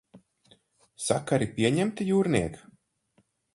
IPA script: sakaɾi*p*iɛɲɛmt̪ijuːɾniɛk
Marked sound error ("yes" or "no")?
no